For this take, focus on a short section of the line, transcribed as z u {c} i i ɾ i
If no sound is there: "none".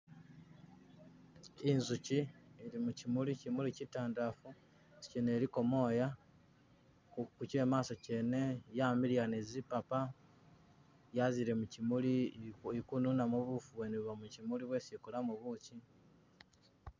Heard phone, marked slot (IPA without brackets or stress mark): c